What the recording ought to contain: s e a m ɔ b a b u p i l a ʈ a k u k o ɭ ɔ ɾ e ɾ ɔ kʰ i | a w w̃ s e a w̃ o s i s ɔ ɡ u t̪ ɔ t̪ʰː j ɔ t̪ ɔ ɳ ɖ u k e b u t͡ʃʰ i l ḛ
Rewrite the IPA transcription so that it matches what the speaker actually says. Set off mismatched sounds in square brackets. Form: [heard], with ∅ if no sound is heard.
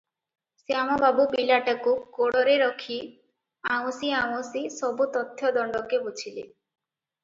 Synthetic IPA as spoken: s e a m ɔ b a b u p i l a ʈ a k u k o [ɽ] ɔ ɾ e ɾ ɔ kʰ i | a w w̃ s [i] a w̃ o s i s ɔ [b] u t̪ ɔ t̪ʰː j ɔ [d̪] ɔ ɳ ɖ [ɔ] k e b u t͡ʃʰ i l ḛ